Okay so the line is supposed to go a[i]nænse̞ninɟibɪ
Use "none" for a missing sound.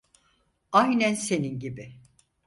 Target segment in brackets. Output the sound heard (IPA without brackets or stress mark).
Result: j